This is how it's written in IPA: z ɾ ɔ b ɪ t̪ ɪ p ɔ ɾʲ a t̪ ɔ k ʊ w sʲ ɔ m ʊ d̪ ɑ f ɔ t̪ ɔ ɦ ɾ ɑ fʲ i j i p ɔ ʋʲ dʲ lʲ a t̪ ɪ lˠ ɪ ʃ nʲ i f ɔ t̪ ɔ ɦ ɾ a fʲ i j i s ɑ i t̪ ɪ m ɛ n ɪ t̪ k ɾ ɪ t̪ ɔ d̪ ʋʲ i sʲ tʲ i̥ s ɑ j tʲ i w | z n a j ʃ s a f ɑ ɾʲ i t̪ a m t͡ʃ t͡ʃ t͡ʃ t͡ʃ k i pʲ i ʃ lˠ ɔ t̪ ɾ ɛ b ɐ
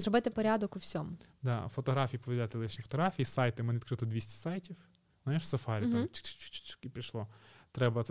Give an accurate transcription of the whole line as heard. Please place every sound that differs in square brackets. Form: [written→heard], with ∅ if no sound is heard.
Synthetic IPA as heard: z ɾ ɔ b ɪ t̪ ɪ p ɔ ɾʲ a [t̪→d̪] ɔ k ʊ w sʲ ɔ m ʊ d̪ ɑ f ɔ t̪ ɔ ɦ ɾ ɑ fʲ i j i p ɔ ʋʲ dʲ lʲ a t̪ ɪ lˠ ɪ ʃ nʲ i f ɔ t̪ ɔ ɦ ɾ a fʲ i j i s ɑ [i→j] t̪ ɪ m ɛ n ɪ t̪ k ɾ ɪ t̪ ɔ d̪ ʋʲ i sʲ tʲ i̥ s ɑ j tʲ i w | z n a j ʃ s [a→ɐ] f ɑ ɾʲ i t̪ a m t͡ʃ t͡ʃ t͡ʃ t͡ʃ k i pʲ i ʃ lˠ ɔ t̪ ɾ ɛ b ɐ